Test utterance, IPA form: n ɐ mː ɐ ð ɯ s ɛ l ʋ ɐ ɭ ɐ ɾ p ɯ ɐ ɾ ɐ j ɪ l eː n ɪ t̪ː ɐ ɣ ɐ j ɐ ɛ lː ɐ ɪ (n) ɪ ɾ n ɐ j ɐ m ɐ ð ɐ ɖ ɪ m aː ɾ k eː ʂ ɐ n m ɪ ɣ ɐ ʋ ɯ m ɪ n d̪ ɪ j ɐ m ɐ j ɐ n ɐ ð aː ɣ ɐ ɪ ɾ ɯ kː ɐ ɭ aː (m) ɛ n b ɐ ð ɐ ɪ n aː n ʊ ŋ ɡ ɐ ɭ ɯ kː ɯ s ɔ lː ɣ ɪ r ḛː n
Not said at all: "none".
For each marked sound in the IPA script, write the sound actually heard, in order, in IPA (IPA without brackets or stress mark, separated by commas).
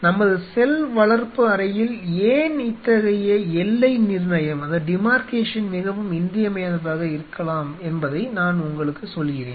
n, m